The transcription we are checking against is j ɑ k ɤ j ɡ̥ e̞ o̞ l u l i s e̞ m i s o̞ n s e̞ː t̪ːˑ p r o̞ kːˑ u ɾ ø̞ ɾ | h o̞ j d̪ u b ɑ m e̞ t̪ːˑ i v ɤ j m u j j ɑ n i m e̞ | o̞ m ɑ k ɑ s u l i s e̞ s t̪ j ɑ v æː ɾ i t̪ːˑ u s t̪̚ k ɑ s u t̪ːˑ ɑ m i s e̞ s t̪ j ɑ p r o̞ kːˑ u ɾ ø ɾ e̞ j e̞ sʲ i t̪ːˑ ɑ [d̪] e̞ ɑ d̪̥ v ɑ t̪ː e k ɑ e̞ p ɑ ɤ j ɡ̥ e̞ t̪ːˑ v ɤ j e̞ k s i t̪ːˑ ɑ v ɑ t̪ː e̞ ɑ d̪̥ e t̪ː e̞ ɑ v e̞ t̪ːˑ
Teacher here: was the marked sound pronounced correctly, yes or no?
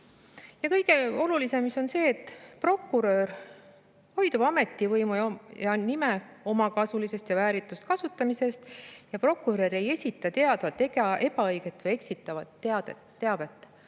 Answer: no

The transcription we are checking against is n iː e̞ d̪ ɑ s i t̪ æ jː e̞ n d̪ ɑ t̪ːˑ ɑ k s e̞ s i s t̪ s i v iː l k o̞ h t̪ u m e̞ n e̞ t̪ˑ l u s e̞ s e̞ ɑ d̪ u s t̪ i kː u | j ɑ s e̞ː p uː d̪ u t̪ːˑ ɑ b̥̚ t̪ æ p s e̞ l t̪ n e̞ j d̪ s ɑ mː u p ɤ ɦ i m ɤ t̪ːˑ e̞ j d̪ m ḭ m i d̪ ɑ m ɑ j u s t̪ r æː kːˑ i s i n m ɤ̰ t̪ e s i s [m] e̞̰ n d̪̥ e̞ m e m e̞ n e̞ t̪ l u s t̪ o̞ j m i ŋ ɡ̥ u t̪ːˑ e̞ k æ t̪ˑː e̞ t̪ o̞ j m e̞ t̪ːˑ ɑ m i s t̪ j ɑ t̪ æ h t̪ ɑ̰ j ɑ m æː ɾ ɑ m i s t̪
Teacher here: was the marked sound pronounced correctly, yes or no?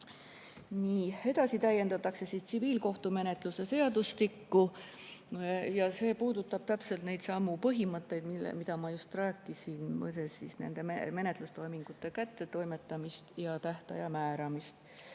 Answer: no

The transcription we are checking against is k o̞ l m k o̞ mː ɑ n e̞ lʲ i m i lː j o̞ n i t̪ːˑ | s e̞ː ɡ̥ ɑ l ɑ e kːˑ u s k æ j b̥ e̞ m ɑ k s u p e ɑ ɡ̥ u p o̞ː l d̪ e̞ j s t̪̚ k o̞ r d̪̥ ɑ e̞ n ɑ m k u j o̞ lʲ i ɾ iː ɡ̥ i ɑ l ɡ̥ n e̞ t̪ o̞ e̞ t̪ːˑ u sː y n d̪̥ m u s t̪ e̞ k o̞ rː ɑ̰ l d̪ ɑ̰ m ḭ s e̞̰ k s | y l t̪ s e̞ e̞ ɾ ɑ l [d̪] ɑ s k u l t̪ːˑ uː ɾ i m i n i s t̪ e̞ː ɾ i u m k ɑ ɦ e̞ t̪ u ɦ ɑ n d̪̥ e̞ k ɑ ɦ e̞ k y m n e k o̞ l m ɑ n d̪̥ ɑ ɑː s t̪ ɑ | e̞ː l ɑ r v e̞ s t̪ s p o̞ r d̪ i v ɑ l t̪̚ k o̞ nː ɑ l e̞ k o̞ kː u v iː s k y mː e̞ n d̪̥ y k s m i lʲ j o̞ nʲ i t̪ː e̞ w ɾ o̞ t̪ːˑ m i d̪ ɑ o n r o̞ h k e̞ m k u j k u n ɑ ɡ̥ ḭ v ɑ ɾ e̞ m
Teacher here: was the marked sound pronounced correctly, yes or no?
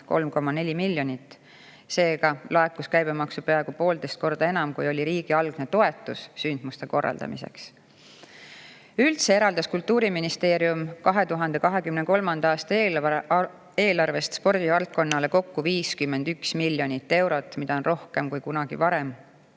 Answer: yes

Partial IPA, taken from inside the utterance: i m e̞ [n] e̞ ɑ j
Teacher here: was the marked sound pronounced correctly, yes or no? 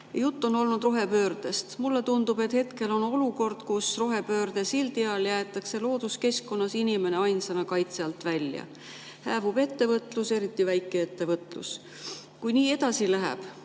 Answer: yes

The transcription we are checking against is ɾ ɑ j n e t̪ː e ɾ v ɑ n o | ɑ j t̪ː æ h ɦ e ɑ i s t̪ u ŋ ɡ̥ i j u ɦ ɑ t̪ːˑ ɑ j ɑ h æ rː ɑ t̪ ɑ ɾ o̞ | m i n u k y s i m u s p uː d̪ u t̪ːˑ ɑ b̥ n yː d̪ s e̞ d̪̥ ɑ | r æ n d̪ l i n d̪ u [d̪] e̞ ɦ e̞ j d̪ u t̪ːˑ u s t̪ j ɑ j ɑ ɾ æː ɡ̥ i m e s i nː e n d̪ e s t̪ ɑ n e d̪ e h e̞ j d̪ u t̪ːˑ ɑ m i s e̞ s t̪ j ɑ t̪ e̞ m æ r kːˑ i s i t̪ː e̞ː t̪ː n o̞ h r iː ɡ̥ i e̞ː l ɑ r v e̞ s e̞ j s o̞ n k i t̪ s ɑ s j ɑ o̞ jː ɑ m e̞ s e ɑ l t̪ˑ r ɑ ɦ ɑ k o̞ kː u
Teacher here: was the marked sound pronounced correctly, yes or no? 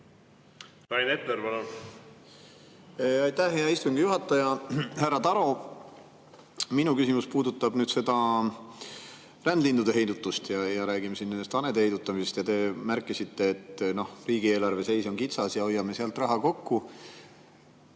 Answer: yes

